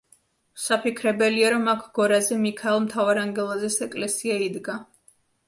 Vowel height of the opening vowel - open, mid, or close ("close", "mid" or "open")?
open